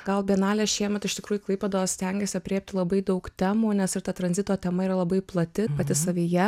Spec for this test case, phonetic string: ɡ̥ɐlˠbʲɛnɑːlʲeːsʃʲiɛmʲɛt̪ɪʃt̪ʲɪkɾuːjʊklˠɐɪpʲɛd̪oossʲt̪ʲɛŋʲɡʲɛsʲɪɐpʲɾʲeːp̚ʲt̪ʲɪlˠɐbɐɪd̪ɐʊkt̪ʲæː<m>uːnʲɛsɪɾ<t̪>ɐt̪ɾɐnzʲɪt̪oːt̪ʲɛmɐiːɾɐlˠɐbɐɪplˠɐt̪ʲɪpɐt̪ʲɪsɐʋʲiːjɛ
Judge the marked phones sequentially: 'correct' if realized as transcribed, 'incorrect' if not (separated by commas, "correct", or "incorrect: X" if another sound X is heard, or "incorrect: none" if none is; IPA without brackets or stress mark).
correct, correct